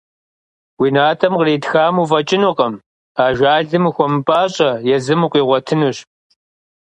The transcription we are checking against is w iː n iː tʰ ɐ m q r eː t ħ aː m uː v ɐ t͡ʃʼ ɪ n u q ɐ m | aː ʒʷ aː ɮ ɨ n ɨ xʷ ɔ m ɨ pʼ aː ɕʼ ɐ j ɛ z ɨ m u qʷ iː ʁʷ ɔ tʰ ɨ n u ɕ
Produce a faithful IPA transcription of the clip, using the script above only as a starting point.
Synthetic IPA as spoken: w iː n aː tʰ ɐ m q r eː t x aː m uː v ɐ t͡ʃʼ ɪ n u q ɐ m | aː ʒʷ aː ɮ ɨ m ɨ xʷ ɔ m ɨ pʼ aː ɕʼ ɐ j ɛ z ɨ m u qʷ iː ʁʷ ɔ tʰ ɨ n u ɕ